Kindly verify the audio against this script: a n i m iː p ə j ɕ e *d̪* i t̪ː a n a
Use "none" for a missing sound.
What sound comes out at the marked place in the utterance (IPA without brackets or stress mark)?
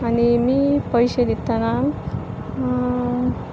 d̪